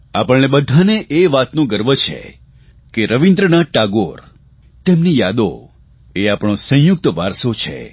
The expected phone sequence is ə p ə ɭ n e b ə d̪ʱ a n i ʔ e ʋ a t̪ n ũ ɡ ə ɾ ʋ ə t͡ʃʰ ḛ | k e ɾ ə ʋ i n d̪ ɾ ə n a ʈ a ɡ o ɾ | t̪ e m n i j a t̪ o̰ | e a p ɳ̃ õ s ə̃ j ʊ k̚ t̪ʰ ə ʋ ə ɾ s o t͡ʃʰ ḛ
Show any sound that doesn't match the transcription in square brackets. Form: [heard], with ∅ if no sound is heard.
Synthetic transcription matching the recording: [a] p ə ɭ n e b ə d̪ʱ a n [e] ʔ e ʋ a t̪ n ũ ɡ ə ɾ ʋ ə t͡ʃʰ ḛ | k e ɾ ə ʋ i n d̪ ɾ ə n a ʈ a ɡ o ɾ | t̪ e m n i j a [d̪] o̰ | e a p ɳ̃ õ s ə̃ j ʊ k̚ [t̪] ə ʋ [a] ɾ s o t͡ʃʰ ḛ